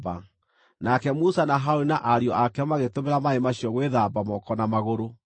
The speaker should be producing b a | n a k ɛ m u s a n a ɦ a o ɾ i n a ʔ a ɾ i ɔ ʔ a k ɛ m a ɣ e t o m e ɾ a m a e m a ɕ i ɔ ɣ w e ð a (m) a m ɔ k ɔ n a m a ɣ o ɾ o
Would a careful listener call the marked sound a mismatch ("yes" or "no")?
yes